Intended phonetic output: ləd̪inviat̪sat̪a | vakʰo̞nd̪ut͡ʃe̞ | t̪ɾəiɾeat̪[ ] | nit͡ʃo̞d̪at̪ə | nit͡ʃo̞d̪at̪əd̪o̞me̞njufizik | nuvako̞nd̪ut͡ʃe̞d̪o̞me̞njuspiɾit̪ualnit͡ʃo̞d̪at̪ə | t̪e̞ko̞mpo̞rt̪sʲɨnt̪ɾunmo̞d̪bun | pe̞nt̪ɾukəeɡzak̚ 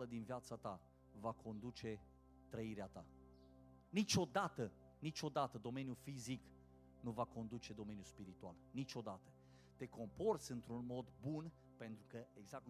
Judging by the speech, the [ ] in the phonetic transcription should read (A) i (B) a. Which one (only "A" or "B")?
B